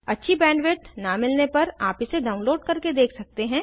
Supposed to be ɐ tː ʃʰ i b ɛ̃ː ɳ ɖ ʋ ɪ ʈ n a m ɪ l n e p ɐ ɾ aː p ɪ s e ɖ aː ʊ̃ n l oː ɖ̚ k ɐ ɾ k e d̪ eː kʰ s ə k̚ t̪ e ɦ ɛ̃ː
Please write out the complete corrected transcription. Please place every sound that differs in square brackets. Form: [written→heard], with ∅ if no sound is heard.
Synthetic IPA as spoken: ɐ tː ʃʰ i b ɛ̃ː ɳ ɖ ʋ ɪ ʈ n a m ɪ l n e p ɐ ɾ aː p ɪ s e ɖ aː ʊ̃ n l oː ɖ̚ k ɐ ɾ k e d̪ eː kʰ s [ə→ɐ] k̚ t̪ e ɦ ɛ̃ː